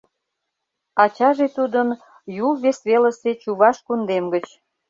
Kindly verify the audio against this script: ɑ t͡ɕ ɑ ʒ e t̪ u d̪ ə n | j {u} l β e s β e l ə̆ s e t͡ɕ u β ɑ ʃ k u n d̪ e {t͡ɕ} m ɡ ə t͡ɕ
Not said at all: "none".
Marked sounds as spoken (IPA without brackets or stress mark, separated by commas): u, none